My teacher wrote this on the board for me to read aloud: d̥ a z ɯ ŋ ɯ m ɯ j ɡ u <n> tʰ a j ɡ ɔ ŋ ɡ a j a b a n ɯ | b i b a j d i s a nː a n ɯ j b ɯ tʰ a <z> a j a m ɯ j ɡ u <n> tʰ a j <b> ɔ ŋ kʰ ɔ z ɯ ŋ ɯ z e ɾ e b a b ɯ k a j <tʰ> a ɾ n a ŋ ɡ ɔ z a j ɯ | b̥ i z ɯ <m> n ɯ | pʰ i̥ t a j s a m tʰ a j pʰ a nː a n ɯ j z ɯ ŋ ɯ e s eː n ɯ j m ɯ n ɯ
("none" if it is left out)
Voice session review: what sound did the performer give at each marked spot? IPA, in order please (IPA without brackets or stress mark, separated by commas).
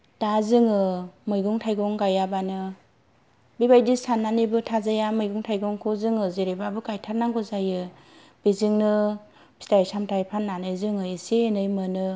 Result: ŋ, z, ŋ, ɡ, tʰ, ŋ